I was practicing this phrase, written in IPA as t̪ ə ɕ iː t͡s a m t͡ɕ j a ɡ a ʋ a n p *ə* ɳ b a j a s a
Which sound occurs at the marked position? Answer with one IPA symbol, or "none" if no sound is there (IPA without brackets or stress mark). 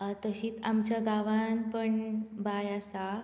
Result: ə